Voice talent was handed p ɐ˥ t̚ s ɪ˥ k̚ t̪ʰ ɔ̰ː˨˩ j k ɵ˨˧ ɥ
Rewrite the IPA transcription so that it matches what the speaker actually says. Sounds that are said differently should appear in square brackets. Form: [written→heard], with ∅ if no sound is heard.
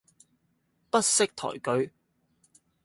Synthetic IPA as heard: p ɐ˥ t̚ s ɪ˥ k̚ t̪ʰ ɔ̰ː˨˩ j k ɵ˨˧ ɥ